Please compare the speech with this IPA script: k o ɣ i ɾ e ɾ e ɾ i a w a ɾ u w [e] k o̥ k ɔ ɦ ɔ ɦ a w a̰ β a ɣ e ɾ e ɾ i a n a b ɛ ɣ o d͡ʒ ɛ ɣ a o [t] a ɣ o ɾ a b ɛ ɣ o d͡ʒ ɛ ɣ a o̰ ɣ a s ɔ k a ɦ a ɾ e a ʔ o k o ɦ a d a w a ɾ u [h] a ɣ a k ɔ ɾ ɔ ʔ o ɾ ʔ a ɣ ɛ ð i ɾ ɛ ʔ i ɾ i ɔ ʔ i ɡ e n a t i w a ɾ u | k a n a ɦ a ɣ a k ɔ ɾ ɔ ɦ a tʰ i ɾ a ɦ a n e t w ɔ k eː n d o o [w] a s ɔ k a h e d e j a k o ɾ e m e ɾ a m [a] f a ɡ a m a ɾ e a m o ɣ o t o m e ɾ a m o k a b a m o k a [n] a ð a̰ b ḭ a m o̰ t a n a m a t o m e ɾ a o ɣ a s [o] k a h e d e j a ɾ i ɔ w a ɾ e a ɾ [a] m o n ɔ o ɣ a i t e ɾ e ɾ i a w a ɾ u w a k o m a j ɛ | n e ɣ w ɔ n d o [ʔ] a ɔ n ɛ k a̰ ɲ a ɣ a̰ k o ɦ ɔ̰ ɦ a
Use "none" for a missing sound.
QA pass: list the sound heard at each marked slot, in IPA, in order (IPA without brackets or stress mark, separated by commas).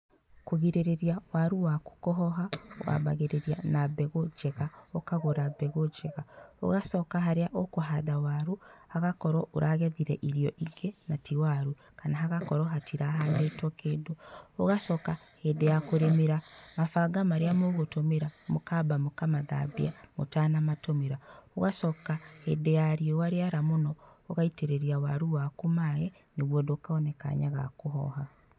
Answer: a, k, h, ɣ, a, m, ɔ, a, k